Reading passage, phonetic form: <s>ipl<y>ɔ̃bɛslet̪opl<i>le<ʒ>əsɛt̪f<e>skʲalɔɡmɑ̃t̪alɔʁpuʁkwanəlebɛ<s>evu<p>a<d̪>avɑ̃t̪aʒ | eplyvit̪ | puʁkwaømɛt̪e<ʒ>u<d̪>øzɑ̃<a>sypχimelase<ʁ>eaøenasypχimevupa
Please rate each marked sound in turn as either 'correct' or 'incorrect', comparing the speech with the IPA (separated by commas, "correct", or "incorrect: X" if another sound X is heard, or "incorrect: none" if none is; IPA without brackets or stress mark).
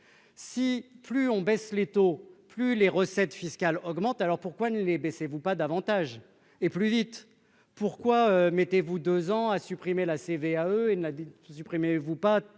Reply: correct, correct, incorrect: y, incorrect: ʁ, incorrect: i, correct, correct, correct, incorrect: v, correct, correct, incorrect: v